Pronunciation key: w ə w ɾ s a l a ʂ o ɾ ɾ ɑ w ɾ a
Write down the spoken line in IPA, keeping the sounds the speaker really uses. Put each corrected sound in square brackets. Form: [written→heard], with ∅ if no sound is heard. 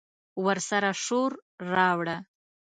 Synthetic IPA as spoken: w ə [w→∅] ɾ s a [l→ɾ] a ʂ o ɾ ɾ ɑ w [ɾ→ɽ] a

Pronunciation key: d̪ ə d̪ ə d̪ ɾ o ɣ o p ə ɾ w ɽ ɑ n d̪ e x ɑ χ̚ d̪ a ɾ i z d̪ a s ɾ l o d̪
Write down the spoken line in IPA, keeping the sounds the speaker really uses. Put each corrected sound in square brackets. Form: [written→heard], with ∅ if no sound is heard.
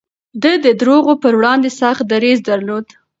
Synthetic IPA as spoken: d̪ ə d̪ ə d̪ ɾ o ɣ o p ə ɾ w ɽ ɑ n d̪ e [x→s] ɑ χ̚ d̪ a ɾ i z d̪ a [s→∅] ɾ l o d̪

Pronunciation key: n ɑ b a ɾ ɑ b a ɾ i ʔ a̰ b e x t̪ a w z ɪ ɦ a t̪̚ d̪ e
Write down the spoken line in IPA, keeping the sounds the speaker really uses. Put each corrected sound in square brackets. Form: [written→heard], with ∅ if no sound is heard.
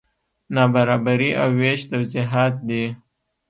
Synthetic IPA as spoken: n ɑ b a ɾ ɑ b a ɾ i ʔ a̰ [b→w] e [x→ʃ] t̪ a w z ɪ ɦ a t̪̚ d̪ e

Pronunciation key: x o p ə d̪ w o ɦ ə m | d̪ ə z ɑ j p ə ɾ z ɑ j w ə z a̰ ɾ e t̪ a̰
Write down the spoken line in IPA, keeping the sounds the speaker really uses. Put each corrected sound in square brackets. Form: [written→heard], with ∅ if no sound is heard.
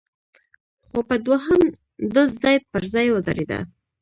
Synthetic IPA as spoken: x o p ə d̪ w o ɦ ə m | d̪ ə z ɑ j p ə ɾ z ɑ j w ə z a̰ ɾ e [t̪→d̪] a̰

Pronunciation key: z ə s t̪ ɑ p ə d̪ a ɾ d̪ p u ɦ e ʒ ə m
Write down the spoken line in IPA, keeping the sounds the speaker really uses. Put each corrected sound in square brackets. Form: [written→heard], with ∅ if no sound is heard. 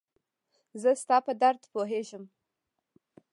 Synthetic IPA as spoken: z ə s t̪ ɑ p ə d̪ a ɾ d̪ p [u→o] ɦ e ʒ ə m

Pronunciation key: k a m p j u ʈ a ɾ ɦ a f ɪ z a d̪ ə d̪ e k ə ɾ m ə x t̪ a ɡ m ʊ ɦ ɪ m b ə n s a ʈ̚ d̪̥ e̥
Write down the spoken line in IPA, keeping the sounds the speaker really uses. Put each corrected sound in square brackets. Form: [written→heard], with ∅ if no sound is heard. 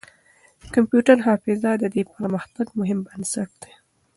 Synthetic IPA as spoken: k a m p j u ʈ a ɾ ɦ [a→ɑ] f ɪ z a d̪ ə d̪ e [k→p] ə ɾ m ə x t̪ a ɡ m ʊ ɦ ɪ m b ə n s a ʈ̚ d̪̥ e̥

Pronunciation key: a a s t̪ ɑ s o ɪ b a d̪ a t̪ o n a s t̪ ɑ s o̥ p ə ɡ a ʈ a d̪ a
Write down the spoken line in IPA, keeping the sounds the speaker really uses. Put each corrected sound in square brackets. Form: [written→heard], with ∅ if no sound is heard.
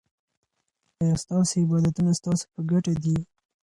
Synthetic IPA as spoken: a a s t̪ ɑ s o ɪ b [a→ɑ] d̪ a t̪ [o→u] n a s t̪ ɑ s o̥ p ə ɡ a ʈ a d̪ [a→i]

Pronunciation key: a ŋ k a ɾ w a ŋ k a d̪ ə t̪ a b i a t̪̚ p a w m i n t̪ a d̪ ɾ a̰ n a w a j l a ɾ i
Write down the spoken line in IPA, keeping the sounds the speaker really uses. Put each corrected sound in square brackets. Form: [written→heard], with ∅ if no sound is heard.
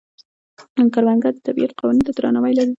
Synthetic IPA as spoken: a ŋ k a ɾ w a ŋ [k→ɡ] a d̪ ə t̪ a b i a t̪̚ [p→q] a w [m→n] i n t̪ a d̪ ɾ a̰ n a w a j l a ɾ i

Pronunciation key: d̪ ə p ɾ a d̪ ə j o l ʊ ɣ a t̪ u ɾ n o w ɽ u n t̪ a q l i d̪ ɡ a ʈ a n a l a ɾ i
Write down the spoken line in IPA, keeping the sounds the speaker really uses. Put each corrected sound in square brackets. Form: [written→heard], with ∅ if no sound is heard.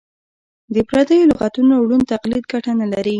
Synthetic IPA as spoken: d̪ ə p ɾ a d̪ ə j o l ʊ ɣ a t̪ u [ɾ→∅] n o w ɽ u n t̪ a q l i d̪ ɡ a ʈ a n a l a ɾ i

